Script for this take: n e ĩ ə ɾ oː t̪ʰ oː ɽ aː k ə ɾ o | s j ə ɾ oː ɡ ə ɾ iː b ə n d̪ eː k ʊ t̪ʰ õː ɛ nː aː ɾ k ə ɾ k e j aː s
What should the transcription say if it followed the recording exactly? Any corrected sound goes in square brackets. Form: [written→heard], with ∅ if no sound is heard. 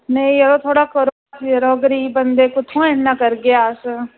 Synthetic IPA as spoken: n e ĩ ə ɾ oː t̪ʰ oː ɽ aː k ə ɾ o | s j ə ɾ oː ɡ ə ɾ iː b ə n d̪ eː k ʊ t̪ʰ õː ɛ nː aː [ɾ→∅] k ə ɾ [k→ɡ] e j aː s